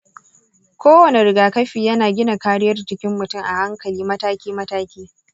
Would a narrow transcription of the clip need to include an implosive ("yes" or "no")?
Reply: no